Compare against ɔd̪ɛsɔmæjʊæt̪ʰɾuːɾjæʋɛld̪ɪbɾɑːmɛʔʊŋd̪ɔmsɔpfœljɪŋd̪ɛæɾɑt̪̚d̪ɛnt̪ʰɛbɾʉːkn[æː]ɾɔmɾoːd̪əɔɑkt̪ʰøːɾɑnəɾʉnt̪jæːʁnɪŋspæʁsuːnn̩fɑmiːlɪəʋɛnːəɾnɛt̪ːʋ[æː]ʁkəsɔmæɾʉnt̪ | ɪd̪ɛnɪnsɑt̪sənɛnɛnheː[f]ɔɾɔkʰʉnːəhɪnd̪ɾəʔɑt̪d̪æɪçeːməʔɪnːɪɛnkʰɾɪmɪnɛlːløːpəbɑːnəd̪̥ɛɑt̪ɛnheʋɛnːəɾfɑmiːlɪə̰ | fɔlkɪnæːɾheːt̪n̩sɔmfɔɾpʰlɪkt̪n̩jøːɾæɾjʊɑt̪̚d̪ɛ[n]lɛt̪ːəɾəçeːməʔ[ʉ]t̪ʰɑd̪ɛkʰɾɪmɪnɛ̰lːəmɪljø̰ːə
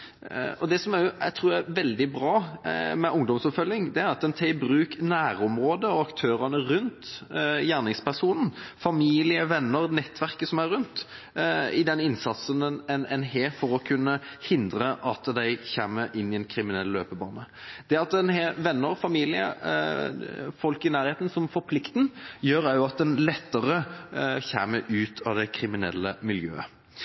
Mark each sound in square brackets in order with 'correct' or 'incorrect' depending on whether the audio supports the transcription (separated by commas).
correct, incorrect, correct, correct, incorrect